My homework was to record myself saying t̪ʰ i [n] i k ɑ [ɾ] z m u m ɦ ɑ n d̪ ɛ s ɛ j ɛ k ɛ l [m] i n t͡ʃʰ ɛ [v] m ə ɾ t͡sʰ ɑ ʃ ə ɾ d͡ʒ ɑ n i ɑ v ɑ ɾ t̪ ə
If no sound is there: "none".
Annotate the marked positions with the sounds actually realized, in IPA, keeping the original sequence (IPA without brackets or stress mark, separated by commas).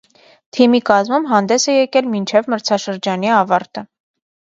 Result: m, none, m, v